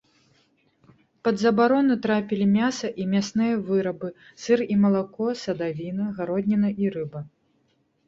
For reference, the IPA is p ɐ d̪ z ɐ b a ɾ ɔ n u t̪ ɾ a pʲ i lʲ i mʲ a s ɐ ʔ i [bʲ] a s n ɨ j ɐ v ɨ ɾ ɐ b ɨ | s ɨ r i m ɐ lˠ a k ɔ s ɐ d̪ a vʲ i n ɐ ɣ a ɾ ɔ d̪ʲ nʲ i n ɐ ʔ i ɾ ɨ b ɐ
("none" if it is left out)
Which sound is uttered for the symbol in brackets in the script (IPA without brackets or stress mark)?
mʲ